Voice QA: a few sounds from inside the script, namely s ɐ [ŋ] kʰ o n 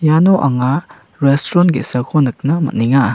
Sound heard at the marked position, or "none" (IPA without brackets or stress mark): none